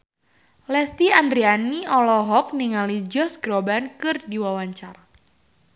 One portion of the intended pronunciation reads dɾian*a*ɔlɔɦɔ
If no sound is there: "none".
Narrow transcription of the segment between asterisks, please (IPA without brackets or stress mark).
i